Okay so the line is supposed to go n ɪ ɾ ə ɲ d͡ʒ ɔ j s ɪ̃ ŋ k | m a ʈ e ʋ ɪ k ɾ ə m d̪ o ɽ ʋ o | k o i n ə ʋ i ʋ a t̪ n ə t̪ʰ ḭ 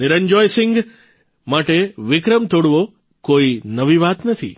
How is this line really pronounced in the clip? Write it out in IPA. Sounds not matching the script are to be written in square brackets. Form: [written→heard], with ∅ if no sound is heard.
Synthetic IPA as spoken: n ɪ ɾ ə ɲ d͡ʒ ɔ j s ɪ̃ ŋ [k→ɡ] | m a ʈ e ʋ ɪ k ɾ ə m [d̪→t̪] o ɽ ʋ o | k o i n ə ʋ i ʋ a t̪ n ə t̪ʰ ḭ